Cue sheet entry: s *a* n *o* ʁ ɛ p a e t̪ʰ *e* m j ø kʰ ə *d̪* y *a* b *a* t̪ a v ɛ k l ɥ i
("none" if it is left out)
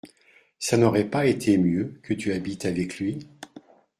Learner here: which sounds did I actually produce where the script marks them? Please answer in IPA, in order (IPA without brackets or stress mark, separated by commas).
a, ɔ, e, t̪, a, i